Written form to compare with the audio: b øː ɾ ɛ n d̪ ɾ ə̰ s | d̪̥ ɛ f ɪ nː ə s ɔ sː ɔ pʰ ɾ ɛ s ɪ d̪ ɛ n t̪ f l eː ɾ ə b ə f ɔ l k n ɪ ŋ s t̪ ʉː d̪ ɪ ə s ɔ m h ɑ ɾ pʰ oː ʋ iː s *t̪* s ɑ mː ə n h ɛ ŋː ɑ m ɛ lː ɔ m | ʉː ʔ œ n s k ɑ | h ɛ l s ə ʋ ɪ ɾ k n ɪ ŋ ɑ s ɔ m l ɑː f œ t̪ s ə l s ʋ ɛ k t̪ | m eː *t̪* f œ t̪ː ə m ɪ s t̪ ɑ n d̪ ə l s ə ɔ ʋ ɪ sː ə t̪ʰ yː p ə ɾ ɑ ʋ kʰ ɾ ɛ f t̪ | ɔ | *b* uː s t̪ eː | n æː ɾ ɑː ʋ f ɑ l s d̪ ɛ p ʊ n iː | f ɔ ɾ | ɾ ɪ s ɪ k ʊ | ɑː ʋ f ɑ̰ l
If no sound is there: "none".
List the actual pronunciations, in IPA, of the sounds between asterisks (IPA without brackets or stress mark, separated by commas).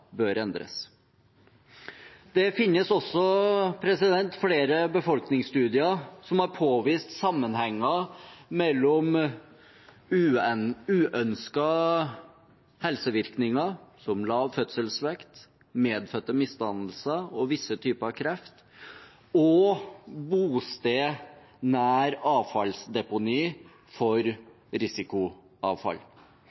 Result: t̪, d̪, b